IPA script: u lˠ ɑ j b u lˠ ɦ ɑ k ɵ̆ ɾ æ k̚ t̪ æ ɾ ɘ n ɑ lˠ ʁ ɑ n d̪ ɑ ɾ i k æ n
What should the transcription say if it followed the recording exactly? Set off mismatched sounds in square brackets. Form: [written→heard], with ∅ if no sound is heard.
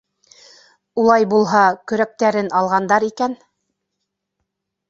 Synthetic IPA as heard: u lˠ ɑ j b u lˠ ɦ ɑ k ɵ̆ ɾ æ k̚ t̪ æ ɾ ɘ n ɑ lˠ ʁ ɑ n d̪ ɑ ɾ i k æ n